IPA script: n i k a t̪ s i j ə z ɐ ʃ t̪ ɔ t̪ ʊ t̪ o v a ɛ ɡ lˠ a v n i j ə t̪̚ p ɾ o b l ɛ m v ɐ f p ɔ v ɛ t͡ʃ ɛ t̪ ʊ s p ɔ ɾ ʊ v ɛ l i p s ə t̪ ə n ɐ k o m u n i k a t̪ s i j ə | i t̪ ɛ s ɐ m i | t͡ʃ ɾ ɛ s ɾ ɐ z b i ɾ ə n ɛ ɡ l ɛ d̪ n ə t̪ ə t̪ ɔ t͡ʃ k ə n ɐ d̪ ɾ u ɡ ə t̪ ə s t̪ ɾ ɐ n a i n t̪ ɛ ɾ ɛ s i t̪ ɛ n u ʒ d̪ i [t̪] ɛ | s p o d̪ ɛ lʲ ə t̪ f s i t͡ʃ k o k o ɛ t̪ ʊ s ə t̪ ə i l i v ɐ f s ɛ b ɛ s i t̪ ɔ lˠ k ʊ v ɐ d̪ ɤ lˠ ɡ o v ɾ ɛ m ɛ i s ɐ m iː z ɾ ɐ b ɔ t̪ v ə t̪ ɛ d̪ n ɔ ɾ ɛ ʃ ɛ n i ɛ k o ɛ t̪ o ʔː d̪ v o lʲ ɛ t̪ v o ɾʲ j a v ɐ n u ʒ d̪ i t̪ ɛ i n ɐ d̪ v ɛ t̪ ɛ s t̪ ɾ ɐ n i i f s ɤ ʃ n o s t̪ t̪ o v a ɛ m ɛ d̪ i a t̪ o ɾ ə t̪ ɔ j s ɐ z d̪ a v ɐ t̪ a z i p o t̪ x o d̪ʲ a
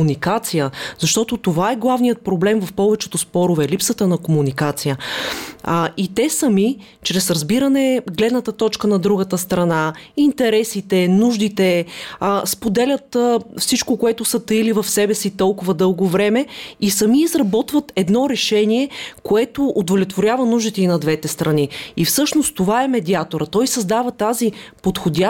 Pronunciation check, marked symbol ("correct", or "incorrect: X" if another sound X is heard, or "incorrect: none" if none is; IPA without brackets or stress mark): correct